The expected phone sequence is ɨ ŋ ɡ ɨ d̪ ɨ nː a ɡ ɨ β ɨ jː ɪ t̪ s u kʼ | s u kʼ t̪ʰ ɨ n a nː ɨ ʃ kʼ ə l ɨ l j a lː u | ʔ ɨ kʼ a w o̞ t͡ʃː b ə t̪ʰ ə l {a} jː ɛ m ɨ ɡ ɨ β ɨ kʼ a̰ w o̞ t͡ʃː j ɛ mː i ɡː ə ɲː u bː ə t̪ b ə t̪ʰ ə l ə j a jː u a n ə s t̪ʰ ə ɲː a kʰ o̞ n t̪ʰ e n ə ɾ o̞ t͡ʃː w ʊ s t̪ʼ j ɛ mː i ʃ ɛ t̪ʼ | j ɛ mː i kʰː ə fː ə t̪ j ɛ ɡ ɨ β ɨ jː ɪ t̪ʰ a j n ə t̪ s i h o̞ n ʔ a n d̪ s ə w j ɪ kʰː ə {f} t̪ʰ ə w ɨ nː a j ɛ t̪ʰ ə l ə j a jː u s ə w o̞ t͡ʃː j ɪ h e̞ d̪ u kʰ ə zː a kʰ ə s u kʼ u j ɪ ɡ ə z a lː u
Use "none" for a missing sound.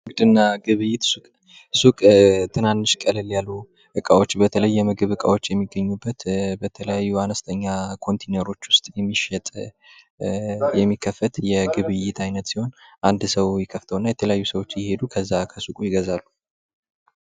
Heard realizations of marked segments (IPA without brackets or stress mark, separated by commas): ə, f